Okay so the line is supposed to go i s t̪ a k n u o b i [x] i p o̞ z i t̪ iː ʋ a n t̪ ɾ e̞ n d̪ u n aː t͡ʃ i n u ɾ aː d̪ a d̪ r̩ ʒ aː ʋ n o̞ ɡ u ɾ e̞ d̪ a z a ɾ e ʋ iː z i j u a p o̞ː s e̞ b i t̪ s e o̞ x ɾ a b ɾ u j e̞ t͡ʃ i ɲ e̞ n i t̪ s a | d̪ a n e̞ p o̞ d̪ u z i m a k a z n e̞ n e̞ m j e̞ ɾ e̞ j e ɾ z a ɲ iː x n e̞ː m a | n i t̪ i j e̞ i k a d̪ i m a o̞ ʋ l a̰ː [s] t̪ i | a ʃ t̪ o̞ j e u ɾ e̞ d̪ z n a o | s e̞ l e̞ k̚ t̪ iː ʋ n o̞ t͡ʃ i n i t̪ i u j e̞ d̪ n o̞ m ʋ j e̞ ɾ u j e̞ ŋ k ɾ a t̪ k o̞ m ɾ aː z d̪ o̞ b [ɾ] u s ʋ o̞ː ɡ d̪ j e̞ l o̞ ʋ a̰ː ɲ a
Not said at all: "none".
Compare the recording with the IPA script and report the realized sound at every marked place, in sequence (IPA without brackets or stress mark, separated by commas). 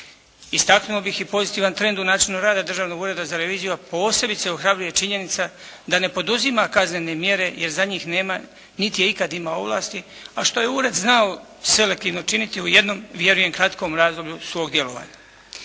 x, s, ʎ